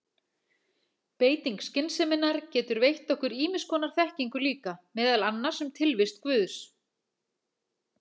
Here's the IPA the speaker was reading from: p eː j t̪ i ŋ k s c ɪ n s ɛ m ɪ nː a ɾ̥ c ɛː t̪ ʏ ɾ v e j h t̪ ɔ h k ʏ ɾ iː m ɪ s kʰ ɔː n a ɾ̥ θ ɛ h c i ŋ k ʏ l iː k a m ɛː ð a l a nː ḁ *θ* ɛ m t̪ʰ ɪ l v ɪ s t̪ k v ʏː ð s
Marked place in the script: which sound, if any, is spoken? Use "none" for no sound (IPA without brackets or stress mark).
s